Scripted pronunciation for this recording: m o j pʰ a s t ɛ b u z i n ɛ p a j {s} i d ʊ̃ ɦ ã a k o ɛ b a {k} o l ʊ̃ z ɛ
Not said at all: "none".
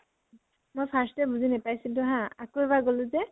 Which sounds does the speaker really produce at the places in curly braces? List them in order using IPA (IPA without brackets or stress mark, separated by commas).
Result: s, ɡ